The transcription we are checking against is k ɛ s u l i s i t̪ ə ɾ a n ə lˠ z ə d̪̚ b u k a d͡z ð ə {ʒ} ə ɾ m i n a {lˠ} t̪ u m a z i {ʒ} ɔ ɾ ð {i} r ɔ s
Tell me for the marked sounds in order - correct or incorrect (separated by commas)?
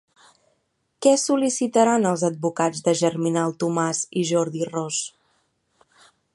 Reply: correct, correct, correct, correct